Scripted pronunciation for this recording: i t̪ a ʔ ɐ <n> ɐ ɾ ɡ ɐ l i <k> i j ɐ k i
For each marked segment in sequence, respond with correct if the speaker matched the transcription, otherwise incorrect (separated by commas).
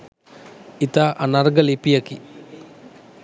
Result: correct, incorrect